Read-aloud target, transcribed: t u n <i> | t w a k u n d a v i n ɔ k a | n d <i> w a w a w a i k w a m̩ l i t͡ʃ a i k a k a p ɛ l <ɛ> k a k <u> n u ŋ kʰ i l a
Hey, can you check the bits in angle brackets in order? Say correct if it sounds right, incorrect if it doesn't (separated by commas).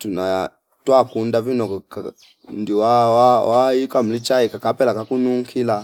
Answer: incorrect, correct, incorrect, correct